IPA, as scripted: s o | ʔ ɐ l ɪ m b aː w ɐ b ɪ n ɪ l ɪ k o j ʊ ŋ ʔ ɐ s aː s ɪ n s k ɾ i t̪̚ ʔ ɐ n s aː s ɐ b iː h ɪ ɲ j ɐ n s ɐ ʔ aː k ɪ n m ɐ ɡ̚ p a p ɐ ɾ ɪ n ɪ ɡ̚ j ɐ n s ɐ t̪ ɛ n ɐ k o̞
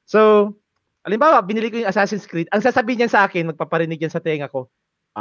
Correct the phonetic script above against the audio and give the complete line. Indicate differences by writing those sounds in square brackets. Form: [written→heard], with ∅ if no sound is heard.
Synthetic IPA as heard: s o | ʔ ɐ l ɪ m b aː w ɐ b ɪ n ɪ l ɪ k o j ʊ ŋ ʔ ɐ s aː s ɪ n s k ɾ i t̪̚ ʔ ɐ [n→ŋ] s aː s ɐ b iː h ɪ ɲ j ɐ n s ɐ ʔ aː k ɪ n m ɐ ɡ̚ p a p ɐ ɾ ɪ n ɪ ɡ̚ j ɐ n s ɐ t̪ ɛ [n→ŋ] ɐ k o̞